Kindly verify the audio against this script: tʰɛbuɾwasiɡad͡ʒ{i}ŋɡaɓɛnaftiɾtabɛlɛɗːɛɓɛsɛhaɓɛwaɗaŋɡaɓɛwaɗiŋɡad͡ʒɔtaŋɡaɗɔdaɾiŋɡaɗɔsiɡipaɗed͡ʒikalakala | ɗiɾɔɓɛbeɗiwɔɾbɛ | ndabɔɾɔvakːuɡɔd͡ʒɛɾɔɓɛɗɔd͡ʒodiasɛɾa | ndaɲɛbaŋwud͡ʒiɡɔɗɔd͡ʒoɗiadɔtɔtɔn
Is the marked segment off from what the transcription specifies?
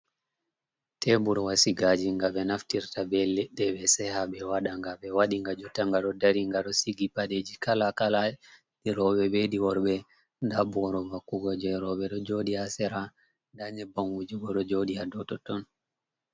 no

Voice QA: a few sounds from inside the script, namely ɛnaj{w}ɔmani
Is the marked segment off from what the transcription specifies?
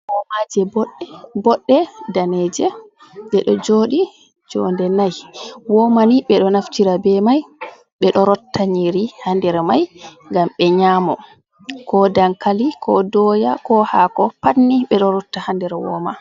no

